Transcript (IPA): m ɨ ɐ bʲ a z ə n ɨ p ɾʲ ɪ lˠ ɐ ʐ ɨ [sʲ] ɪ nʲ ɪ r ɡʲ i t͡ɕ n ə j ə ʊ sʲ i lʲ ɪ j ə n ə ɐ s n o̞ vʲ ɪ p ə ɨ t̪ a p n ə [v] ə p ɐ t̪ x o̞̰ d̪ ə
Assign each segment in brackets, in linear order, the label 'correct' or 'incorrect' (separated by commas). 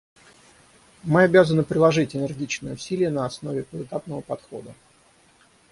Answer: incorrect, correct